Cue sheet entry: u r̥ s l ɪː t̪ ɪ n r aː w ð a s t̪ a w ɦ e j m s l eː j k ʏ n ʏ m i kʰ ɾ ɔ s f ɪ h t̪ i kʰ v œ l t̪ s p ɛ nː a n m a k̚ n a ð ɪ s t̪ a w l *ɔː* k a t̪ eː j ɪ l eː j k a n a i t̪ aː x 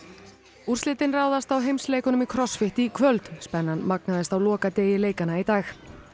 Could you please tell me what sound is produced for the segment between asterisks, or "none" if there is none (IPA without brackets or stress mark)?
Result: ɔː